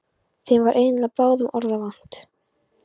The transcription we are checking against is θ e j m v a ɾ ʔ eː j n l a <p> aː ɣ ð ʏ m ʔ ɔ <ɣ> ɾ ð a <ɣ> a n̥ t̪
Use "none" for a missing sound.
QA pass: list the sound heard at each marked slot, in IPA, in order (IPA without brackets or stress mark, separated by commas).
p, none, v